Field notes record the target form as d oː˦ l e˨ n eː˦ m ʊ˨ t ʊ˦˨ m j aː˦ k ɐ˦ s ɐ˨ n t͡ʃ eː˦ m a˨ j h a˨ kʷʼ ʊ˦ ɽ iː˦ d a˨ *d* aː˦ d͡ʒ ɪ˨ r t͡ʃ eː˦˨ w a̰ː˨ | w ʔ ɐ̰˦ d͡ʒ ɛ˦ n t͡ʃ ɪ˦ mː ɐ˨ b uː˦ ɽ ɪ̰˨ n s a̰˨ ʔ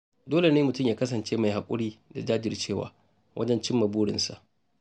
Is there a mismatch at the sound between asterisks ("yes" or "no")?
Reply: yes